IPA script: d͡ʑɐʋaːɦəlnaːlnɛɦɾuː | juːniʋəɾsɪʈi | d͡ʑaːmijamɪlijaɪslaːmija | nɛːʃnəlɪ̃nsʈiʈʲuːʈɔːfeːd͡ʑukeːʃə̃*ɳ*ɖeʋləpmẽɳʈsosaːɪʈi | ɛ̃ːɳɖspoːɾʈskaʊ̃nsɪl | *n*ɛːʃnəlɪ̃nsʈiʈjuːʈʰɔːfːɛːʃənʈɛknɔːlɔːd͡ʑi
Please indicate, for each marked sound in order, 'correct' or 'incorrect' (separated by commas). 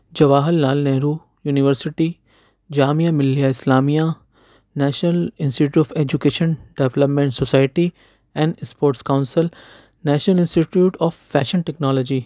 incorrect, correct